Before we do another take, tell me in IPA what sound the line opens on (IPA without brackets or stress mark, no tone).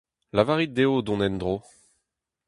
l